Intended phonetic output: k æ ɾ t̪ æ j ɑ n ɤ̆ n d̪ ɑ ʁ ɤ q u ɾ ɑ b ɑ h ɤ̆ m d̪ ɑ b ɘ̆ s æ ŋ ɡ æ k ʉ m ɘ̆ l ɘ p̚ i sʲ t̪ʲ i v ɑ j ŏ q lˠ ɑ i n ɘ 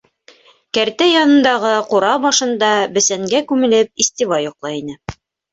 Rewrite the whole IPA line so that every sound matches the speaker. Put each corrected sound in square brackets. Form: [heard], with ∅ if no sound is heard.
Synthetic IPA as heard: k æ ɾ t̪ æ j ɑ n ɤ̆ n d̪ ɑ ʁ ɤ q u ɾ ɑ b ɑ [ʃ] ɤ̆ [n] d̪ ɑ b ɘ̆ s æ ŋ ɡ æ k ʉ m ɘ̆ l ɘ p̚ i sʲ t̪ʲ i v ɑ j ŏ q lˠ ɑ i n ɘ